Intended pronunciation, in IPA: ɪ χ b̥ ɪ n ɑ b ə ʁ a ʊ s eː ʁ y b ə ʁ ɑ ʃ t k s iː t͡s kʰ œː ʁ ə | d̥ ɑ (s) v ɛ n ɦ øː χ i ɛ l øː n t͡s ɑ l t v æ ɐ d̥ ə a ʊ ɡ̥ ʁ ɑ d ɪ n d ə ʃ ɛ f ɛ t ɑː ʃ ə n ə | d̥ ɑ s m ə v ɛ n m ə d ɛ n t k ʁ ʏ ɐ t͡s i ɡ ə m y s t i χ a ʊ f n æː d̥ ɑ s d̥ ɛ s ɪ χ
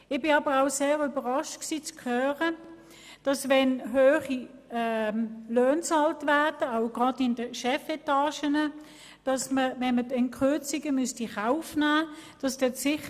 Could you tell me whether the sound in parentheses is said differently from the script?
no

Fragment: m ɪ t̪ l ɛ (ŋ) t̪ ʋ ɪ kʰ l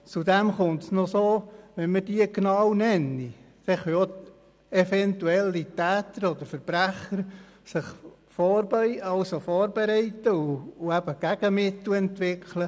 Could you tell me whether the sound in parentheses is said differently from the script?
yes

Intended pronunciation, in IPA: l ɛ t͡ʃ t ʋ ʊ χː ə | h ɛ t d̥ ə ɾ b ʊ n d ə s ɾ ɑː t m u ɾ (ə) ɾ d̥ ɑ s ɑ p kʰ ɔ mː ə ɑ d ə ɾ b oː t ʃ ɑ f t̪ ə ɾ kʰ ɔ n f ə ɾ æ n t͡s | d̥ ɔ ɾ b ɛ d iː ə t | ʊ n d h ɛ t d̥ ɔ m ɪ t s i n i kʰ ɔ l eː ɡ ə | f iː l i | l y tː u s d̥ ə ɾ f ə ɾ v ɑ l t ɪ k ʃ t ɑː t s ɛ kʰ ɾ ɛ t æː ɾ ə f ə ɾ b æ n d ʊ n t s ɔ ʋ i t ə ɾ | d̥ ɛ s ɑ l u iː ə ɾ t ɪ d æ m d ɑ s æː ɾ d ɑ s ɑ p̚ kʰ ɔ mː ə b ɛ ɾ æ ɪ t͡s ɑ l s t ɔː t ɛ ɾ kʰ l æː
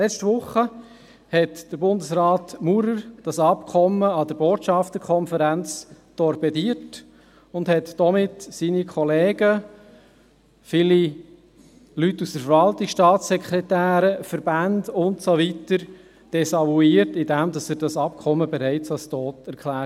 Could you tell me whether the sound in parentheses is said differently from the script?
no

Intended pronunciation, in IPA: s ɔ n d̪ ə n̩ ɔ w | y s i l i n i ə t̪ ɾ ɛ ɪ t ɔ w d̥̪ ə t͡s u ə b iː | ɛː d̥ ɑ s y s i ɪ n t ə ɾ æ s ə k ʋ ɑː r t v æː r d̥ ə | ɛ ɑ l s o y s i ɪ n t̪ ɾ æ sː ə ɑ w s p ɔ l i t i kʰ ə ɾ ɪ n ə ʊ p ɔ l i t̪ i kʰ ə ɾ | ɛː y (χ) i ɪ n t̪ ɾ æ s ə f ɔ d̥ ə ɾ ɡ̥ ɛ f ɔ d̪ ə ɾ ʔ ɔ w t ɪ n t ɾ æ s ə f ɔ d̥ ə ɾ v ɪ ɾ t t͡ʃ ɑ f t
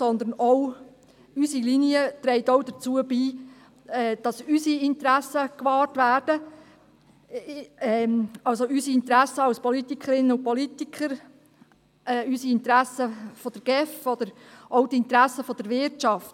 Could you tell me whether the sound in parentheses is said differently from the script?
yes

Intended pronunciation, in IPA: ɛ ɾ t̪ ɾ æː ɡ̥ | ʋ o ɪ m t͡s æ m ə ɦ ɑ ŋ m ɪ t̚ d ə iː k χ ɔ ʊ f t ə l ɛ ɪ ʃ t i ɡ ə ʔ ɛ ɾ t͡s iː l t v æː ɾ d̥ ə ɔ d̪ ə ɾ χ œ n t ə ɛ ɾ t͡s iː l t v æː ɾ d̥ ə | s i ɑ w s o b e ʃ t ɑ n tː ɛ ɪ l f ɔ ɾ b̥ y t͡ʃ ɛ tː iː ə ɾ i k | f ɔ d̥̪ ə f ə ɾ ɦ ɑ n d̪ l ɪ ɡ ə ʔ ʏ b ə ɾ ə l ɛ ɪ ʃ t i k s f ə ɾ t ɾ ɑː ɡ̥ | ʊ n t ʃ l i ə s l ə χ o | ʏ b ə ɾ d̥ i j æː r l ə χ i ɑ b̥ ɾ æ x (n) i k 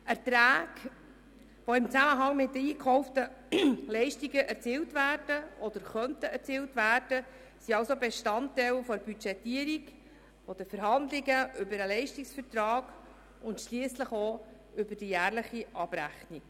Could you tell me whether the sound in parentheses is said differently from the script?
no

